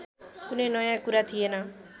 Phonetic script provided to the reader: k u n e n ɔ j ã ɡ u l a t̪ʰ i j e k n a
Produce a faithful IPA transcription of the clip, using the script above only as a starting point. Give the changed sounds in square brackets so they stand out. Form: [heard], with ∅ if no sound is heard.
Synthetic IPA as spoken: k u n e n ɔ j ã [k] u [ɾ] a t̪ʰ i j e [∅] n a